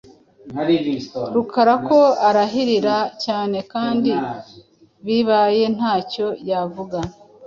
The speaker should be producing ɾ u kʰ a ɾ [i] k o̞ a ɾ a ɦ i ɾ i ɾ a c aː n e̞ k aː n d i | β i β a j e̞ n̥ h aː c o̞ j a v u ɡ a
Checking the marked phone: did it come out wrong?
yes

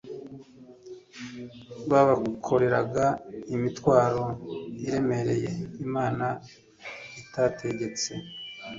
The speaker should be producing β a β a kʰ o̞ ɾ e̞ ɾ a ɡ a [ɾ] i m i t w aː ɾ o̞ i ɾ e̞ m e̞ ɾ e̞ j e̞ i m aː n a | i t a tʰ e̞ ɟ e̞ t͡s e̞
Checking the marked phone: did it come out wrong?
yes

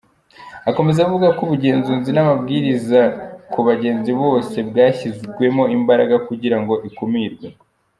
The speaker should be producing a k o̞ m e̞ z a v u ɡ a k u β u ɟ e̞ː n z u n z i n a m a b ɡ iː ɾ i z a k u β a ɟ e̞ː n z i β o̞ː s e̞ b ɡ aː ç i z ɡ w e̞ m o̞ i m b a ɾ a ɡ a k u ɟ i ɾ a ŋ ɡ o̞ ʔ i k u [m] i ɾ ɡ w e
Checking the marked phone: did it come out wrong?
no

